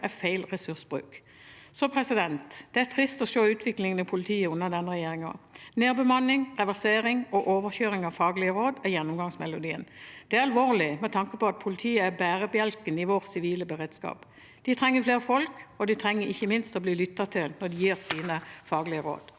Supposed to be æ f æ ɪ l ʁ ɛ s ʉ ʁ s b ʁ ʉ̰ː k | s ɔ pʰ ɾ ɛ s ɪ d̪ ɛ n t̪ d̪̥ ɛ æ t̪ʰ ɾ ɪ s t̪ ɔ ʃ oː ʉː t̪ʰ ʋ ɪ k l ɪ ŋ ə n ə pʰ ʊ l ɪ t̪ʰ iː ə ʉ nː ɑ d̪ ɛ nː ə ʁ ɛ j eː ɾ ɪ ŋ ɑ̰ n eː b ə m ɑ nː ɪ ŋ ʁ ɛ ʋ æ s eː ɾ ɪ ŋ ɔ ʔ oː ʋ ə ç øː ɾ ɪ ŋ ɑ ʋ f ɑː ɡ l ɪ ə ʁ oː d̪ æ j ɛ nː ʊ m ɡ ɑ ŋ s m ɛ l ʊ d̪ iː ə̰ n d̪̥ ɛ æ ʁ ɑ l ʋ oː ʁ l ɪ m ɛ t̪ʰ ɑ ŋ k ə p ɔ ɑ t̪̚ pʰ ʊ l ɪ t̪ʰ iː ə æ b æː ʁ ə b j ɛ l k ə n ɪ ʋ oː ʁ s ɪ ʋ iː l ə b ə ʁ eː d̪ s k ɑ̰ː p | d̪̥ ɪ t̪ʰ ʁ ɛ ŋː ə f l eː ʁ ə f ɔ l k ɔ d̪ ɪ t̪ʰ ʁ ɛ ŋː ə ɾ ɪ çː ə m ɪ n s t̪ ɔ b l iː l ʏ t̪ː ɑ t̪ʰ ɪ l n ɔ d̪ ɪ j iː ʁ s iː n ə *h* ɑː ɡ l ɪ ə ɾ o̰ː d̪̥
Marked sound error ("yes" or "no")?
yes